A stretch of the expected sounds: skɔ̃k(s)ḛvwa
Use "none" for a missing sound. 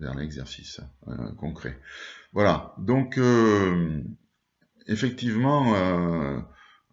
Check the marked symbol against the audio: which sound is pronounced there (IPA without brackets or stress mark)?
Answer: χ